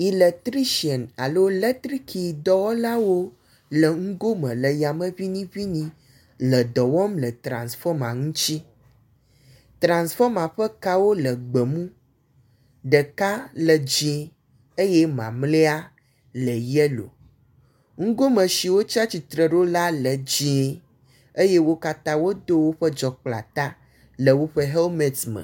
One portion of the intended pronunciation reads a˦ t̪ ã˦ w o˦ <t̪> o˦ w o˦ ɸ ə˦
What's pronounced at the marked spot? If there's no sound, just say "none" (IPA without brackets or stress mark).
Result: d̪